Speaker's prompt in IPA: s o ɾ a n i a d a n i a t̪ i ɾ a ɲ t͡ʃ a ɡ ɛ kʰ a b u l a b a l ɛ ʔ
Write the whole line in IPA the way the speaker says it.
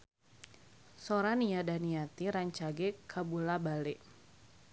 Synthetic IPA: s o ɾ a n i a d a n i a t̪ i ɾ a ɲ t͡ʃ a ɡ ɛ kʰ a b u l a b a l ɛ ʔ